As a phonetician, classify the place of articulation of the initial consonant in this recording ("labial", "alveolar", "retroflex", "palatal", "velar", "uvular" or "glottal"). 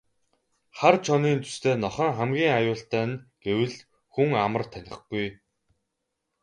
uvular